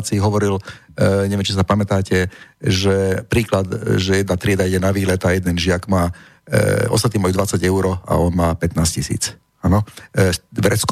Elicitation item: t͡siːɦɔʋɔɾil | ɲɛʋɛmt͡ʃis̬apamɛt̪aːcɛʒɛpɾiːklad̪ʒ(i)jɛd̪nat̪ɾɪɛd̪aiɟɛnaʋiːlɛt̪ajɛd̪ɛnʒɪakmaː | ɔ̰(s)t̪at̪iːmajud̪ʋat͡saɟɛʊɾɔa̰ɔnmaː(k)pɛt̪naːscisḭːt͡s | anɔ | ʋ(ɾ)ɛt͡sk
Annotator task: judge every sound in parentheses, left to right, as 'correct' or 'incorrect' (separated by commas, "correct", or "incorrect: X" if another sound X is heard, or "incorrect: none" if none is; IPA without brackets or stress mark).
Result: incorrect: ɛ, correct, incorrect: none, correct